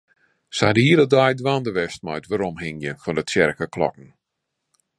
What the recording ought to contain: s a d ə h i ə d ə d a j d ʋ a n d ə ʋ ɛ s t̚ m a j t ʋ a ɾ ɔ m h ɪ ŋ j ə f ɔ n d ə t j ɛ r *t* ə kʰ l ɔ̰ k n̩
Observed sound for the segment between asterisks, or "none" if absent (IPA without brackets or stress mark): k